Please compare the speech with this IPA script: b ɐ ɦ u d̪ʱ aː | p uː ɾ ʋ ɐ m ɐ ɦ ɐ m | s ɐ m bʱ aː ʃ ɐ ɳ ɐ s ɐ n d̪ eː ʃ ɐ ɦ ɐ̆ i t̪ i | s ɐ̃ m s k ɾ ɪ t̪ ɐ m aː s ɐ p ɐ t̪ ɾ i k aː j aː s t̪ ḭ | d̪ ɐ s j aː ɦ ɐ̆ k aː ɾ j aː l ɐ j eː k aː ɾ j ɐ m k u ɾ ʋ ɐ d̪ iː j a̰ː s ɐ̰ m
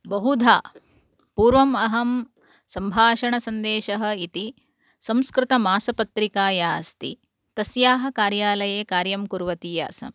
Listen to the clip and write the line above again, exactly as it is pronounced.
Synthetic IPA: b ɐ ɦ u d̪ʱ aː | p uː ɾ ʋ ɐ m ɐ ɦ ɐ m | s ɐ m bʱ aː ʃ ɐ ɳ ɐ s ɐ n d̪ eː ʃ ɐ ɦ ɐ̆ i t̪ i | s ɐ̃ m s k ɾ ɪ t̪ ɐ m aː s ɐ p ɐ t̪ ɾ i k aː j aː s t̪ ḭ | t̪ ɐ s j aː ɦ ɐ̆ k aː ɾ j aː l ɐ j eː k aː ɾ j ɐ m k u ɾ ʋ ɐ t̪ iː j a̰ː s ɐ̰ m

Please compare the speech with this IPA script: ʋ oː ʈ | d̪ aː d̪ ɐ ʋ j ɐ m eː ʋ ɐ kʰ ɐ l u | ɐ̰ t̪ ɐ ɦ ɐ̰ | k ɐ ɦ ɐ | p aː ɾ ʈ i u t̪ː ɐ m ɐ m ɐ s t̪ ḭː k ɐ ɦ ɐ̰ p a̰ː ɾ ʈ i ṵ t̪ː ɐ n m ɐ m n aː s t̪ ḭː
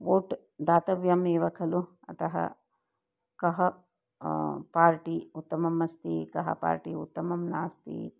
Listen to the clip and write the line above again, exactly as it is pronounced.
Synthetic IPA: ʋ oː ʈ | d̪ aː t̪ ɐ ʋ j ɐ m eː ʋ ɐ kʰ ɐ l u | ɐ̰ t̪ ɐ ɦ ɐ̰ | k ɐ ɦ ɐ | p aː ɾ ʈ i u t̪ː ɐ m ɐ m ɐ s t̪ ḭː k ɐ ɦ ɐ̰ p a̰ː ɾ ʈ i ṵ t̪ː ɐ m ɐ m n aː s t̪ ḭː

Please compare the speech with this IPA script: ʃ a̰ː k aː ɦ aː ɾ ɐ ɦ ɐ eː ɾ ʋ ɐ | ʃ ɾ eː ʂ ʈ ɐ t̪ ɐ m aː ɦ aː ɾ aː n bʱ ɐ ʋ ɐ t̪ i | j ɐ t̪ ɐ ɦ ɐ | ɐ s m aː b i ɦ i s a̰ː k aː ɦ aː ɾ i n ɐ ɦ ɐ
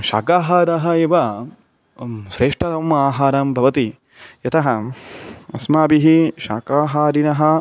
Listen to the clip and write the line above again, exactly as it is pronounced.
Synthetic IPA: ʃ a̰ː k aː ɦ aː ɾ ɐ ɦ ɐ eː ʋ ɐ | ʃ ɾ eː ʂ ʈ ɐ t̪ ɐ m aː ɦ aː ɾ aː m bʱ ɐ ʋ ɐ t̪ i | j ɐ t̪ ɐ ɦ ɐ | ɐ s m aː b i ɦ i ʃ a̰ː k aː ɦ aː ɾ i n ɐ ɦ ɐ

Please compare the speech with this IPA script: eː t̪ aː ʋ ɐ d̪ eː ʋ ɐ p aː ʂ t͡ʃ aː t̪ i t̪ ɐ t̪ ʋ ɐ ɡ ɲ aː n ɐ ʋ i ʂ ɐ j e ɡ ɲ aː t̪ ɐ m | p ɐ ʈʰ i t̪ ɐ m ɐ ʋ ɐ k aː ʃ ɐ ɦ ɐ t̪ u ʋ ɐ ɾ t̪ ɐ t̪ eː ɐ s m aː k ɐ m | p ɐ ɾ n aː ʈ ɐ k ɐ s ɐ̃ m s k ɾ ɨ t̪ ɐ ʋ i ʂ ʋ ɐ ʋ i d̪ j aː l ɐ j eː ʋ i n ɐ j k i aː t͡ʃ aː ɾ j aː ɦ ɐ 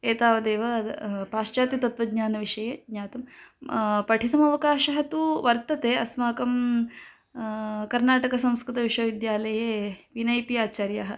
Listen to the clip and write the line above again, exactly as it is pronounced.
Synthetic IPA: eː t̪ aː ʋ ɐ d̪ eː ʋ ɐ p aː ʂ t͡ʃ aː t̪ i t̪ ɐ t̪ ʋ ɐ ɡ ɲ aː n ɐ ʋ i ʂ ɐ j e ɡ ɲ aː t̪ ɐ m | p ɐ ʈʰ i t̪ ɐ m ɐ ʋ ɐ k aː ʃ ɐ ɦ ɐ t̪ u ʋ ɐ ɾ t̪ ɐ t̪ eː ɐ s m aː k ɐ m | k ɐ ɾ n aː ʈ ɐ k ɐ s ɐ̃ m s k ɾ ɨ t̪ ɐ ʋ i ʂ ʋ ɐ ʋ i d̪ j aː l ɐ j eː ʋ i n ɐ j p i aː t͡ʃ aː ɾ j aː ɦ ɐ

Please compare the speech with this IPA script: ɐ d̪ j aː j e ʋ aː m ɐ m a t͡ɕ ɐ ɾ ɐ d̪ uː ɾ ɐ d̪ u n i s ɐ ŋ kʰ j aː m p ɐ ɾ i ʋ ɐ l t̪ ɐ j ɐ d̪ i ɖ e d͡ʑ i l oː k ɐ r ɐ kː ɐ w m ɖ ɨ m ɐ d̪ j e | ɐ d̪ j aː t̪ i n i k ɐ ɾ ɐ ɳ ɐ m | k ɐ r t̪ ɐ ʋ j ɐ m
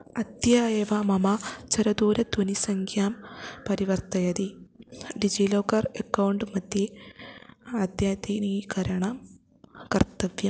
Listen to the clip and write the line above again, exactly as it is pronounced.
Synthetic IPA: ɐ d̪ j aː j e ʋ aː m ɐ m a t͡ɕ ɐ ɾ ɐ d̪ uː ɾ ɐ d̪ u n i s ɐ ŋ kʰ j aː m p ɐ ɾ i ʋ ɐ r t̪ ɐ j ɐ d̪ i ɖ i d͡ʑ i l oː k ɐ r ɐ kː ɐ w ɳ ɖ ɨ m ɐ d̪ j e | ɐ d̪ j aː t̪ i n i k ɐ ɾ ɐ ɳ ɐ m | k ɐ r t̪ ɐ ʋ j ɐ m

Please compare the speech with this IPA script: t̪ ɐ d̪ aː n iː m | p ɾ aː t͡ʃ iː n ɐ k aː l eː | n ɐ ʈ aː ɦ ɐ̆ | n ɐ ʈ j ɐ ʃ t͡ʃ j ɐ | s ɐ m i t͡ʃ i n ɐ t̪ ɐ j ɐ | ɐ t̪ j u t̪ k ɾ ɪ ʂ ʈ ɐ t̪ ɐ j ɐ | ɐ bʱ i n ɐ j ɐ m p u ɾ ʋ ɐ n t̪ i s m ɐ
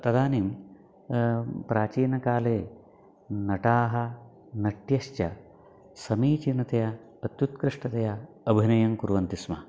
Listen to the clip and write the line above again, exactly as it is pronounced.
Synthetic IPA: t̪ ɐ d̪ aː n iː m | p ɾ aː t͡ʃ iː n ɐ k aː l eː | n ɐ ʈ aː ɦ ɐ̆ | n ɐ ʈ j ɐ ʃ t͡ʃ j ɐ | s ɐ m iː t͡ʃ i n ɐ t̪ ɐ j ɐ | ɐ t̪ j u t̪ k ɾ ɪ ʂ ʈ ɐ t̪ ɐ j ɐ | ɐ bʱ i n ɐ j ɐ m k u ɾ ʋ ɐ n t̪ i s m ɐ

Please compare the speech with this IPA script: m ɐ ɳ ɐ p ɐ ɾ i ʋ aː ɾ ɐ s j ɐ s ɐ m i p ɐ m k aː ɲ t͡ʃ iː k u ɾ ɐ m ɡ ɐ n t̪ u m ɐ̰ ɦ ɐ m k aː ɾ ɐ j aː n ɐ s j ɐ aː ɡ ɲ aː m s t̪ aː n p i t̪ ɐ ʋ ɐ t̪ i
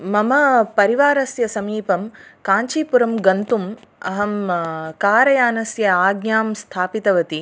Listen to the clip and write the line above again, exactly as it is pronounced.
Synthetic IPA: m ɐ m ɐ p ɐ ɾ i ʋ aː ɾ ɐ s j ɐ s ɐ m iː p ɐ m k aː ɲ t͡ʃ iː p u ɾ ɐ m ɡ ɐ n t̪ u m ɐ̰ ɦ ɐ m k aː ɾ ɐ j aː n ɐ s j ɐ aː ɡ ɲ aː m s t̪ʰ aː p i t̪ ɐ ʋ ɐ t̪ i

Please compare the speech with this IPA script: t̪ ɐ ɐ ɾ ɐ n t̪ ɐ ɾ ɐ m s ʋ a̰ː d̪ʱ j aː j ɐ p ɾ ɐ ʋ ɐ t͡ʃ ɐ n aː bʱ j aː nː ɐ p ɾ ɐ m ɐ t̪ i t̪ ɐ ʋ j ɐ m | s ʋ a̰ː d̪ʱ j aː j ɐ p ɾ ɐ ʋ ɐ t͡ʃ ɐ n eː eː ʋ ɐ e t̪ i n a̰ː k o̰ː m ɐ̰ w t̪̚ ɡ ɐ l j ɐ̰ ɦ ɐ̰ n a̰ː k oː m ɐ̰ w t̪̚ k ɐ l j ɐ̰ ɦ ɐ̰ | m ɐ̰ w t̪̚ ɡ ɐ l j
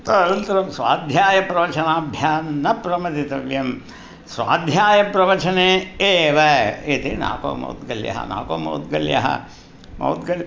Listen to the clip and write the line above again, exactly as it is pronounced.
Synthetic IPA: t̪ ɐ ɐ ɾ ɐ n t̪ ɐ ɾ ɐ m s ʋ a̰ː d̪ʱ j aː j ɐ p ɾ ɐ ʋ ɐ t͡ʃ ɐ n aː bʱ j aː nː ɐ p ɾ ɐ m ɐ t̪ i t̪ ɐ ʋ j ɐ m | s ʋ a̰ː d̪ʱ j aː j ɐ p ɾ ɐ ʋ ɐ t͡ʃ ɐ n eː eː ʋ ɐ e t̪ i n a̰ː k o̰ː m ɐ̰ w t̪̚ ɡ ɐ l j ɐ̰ ɦ ɐ̰ n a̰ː k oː m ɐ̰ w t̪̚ ɡ ɐ l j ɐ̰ ɦ ɐ̰ | m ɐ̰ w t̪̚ ɡ ɐ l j

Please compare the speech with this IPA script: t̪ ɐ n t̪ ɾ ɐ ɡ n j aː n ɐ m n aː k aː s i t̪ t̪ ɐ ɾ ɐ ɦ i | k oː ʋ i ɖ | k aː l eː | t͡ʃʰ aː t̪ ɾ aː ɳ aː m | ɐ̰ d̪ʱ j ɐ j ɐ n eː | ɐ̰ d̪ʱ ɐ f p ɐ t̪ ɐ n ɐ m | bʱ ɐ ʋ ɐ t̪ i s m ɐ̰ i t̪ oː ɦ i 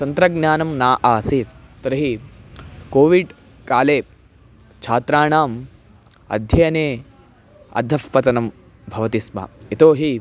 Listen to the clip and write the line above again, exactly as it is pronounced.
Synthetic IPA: t̪ ɐ n t̪ ɾ ɐ ɡ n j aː n ɐ m n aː ʔ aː s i t̪ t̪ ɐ ɾ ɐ ɦ i | k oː ʋ i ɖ | k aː l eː | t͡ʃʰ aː t̪ ɾ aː ɳ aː m | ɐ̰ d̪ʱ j ɐ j ɐ n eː | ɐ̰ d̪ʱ ɐ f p ɐ t̪ ɐ n ɐ m | bʱ ɐ ʋ ɐ t̪ i s m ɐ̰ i t̪ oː ɦ i

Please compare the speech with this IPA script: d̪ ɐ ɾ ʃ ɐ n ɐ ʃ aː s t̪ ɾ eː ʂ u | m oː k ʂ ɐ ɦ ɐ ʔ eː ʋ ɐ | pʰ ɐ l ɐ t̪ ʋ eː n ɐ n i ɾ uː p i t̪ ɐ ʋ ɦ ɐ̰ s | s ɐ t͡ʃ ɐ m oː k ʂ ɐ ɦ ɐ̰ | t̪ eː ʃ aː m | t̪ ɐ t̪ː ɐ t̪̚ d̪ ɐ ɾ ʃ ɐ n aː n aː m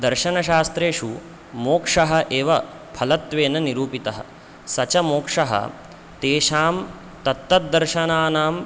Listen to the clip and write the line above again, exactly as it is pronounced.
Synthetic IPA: d̪ ɐ ɾ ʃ ɐ n ɐ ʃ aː s t̪ ɾ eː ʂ u | m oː k ʂ ɐ ɦ ɐ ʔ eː ʋ ɐ | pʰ ɐ l ɐ t̪ ʋ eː n ɐ n i ɾ uː p i t̪ ɐ ɦ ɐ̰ | s ɐ t͡ʃ ɐ m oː k ʂ ɐ ɦ ɐ̰ | t̪ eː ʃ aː m | t̪ ɐ t̪ː ɐ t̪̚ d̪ ɐ ɾ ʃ ɐ n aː n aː m

